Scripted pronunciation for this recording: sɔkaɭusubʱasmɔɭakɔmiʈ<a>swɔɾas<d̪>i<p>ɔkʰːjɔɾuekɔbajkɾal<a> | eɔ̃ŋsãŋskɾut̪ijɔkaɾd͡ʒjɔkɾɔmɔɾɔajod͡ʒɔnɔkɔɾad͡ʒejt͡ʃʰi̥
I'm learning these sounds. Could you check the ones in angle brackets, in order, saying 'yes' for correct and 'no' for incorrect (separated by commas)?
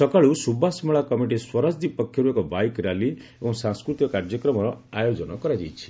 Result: no, yes, yes, no